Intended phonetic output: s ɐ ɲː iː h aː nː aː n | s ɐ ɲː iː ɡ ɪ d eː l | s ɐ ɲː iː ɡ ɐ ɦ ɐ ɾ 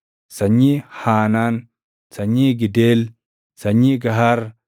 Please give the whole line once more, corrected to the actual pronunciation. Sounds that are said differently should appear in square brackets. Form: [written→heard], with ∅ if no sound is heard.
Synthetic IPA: s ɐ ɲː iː h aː [nː→n] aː n | s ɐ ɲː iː ɡ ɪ d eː l | s ɐ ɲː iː ɡ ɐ ɦ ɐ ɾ